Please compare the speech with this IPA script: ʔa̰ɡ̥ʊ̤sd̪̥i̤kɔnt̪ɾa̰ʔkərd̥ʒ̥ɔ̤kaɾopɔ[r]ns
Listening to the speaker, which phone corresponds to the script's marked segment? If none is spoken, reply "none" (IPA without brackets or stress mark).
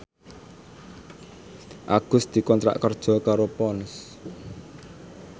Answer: none